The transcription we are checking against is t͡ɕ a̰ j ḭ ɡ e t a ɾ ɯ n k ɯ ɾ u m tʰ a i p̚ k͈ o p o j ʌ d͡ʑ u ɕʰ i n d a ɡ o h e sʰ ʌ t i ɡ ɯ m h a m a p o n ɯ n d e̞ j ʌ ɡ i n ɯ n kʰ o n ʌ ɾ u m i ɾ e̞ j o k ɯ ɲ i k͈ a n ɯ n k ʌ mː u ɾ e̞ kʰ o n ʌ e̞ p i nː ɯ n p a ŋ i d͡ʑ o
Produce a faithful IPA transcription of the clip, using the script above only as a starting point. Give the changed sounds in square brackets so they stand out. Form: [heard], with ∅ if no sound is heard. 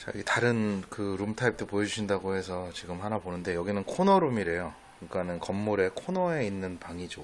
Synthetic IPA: t͡ɕ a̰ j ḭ ɡ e t a ɾ ɯ n k ɯ ɾ u m tʰ a i p̚ [t͈] o p o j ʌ d͡ʑ u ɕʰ i n d a ɡ o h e sʰ ʌ [t͡ɕ] i ɡ ɯ m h a [n] a p o n ɯ n d e̞ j ʌ ɡ i n ɯ n kʰ o n ʌ ɾ u m i ɾ e̞ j o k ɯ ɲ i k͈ a n ɯ n k ʌ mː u ɾ e̞ kʰ o n ʌ e̞ [∅] i nː ɯ n p a ŋ i d͡ʑ o